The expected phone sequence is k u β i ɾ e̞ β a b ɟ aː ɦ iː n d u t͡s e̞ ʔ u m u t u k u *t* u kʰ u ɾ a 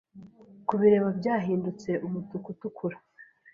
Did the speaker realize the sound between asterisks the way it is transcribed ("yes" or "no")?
yes